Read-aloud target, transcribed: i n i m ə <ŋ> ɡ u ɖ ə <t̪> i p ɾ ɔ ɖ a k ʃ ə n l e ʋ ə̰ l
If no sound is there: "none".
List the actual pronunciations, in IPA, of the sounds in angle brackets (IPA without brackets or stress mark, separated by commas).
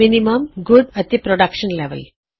m, t̪